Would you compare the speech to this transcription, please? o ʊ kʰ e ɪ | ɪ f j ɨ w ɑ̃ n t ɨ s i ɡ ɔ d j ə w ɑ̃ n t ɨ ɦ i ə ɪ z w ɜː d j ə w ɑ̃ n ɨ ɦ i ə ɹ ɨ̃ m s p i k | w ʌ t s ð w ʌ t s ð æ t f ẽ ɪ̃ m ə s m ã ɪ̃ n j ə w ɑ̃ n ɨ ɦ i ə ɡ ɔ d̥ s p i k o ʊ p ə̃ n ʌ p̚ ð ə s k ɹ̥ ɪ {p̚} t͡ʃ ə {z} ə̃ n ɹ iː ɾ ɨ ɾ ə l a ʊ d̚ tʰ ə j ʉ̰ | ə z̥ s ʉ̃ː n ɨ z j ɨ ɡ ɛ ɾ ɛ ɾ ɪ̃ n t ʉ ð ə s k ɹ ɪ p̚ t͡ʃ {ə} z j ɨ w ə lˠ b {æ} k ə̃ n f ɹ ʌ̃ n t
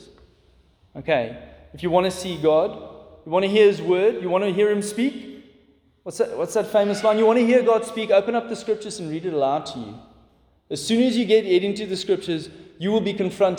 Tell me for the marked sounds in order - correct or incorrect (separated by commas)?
correct, correct, correct, incorrect